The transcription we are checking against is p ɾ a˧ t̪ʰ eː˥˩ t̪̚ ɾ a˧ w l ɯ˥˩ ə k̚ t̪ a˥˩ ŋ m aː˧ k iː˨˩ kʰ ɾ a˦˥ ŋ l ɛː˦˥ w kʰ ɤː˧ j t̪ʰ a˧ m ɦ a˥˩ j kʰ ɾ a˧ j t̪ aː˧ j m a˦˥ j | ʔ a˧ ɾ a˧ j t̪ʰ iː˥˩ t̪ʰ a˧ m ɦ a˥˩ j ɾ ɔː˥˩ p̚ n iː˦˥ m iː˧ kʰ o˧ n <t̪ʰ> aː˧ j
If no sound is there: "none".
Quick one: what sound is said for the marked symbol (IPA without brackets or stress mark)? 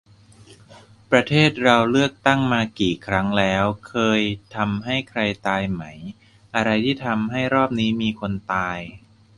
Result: t̪